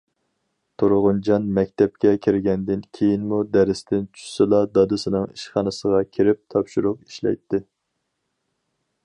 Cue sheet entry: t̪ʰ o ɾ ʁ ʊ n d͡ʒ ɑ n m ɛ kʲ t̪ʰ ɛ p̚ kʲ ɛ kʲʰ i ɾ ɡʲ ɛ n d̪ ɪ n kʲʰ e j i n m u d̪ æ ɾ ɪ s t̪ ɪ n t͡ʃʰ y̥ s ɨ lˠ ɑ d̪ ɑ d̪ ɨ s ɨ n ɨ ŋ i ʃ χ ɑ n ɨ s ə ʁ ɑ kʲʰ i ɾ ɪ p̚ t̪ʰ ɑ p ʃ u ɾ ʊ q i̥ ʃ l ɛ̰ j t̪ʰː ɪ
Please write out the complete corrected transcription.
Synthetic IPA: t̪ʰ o ɾ ʁ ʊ n d͡ʒ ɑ n m ɛ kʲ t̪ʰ ɛ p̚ kʲ ɛ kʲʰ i ɾ ɡʲ ɛ n d̪ ɪ n kʲʰ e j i n m u d̪ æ ɾ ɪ s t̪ ɪ n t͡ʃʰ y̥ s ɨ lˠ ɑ d̪ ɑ d̪ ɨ s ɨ n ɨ ŋ i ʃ χ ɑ n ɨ s ə ʁ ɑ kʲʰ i ɾ ɪ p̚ t̪ʰ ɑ p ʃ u ɾ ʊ q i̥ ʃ l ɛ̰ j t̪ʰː ɪ